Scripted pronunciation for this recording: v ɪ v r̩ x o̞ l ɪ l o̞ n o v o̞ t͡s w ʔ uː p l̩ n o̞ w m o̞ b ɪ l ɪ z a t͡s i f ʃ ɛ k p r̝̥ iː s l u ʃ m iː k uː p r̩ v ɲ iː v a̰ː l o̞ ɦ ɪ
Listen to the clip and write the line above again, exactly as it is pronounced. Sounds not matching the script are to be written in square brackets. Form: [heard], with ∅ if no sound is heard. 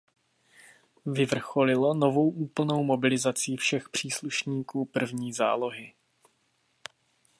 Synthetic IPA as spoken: v ɪ v r̩ x o̞ l ɪ l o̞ n o v o̞ [∅] w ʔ uː p l̩ n o̞ w m o̞ b ɪ l ɪ z a t͡s i f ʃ ɛ [x] p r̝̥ iː s l u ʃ [ɲ] iː k uː p r̩ v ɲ iː [z] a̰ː l o̞ ɦ ɪ